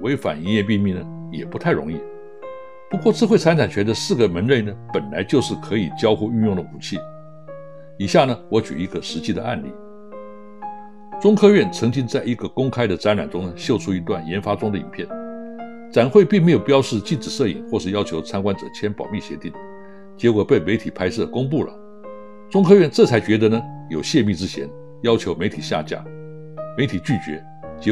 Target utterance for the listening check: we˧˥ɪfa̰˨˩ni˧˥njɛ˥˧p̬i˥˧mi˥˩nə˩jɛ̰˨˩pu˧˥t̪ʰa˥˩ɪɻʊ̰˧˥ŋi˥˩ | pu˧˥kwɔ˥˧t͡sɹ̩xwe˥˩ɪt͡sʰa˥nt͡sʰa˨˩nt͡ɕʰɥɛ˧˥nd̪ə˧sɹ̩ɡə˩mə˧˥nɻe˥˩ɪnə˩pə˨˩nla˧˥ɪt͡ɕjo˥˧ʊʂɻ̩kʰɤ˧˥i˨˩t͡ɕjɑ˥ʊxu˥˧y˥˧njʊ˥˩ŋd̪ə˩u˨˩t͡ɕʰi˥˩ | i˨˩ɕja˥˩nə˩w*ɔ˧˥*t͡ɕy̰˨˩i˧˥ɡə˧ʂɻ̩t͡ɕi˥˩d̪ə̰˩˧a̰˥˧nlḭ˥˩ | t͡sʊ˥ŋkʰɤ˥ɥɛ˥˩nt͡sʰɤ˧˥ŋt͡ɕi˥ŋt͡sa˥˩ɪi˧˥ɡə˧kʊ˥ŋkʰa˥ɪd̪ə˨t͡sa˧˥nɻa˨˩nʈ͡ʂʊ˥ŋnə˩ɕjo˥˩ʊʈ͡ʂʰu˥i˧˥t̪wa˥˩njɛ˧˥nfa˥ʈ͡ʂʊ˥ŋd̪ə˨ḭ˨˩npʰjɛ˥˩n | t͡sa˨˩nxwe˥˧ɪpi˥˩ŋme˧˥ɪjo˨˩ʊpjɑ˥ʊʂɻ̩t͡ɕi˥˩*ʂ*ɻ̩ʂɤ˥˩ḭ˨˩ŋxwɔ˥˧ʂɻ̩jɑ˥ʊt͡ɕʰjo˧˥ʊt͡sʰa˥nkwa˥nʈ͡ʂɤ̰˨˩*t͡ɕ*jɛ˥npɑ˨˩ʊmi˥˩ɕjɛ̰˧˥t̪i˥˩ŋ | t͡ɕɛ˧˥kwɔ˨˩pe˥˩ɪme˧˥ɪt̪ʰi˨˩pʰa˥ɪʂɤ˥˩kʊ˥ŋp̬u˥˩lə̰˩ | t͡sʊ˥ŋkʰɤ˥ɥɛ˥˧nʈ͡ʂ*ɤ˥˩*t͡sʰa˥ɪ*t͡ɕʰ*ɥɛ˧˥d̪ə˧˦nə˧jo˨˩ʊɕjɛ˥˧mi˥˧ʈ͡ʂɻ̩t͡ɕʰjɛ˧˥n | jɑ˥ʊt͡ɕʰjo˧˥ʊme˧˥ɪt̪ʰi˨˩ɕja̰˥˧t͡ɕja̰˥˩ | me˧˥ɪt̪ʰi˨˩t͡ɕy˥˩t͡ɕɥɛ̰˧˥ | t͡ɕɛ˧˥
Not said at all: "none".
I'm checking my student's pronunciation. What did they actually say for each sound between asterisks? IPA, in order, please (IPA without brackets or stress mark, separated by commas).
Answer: ɔ˧˥, ʈ͡ʂ, t͡ɕʰ, ɤ˥˩, t͡ɕ